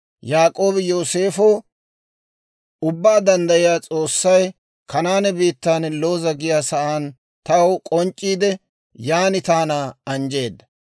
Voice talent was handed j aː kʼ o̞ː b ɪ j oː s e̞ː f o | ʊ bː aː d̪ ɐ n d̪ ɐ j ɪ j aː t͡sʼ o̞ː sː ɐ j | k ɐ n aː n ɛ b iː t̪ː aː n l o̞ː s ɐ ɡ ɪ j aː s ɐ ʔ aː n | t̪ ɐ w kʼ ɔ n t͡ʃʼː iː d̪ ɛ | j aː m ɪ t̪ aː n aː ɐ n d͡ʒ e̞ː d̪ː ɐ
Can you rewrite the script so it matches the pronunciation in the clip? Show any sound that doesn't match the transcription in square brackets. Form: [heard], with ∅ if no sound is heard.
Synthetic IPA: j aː kʼ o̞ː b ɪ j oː s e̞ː f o | ʊ bː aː d̪ ɐ n d̪ ɐ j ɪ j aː t͡sʼ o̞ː sː ɐ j | k ɐ n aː n ɛ b iː t̪ː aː n l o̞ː [z] ɐ ɡ ɪ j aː s ɐ ʔ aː n | t̪ ɐ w kʼ ɔ n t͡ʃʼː iː d̪ ɛ | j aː [n] ɪ t̪ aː n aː ɐ n d͡ʒ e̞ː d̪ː ɐ